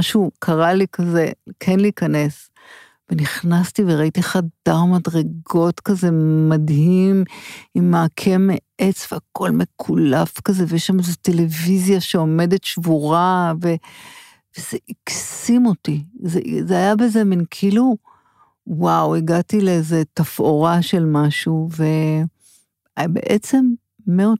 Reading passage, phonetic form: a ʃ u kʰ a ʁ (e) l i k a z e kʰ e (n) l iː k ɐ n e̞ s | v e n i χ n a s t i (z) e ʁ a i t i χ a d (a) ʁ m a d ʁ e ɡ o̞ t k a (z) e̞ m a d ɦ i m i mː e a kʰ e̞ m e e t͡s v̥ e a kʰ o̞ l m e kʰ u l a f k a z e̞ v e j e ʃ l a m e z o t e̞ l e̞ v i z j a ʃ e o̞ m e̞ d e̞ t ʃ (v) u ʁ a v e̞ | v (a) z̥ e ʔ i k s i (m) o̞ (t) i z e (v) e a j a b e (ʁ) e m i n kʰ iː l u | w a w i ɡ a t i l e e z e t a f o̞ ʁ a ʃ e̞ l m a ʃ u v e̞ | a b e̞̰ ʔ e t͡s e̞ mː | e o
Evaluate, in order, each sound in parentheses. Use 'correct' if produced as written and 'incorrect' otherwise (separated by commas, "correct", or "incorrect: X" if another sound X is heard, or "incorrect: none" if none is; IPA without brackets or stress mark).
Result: incorrect: a, correct, incorrect: v, correct, correct, correct, incorrect: e, correct, correct, incorrect: z, incorrect: z